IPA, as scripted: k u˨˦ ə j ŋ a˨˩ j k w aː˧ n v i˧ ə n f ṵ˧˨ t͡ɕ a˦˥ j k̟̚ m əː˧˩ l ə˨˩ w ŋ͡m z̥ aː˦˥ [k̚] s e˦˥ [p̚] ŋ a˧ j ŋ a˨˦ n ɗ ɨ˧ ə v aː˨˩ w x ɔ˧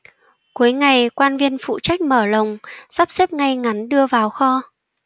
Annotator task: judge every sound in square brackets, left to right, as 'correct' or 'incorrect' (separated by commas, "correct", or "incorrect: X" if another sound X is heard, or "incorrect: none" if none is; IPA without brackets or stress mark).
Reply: incorrect: p̚, correct